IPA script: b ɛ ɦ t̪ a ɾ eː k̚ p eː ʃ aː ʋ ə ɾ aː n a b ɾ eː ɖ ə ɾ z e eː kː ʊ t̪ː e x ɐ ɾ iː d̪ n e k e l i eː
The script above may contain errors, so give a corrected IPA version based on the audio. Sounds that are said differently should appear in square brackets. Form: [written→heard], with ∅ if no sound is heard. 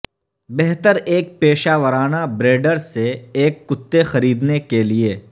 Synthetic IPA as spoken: b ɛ ɦ t̪ [a→ə] ɾ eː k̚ p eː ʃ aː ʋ ə ɾ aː n a b ɾ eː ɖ ə ɾ [z→s] e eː kː ʊ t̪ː e x ɐ ɾ iː d̪ n e k e l i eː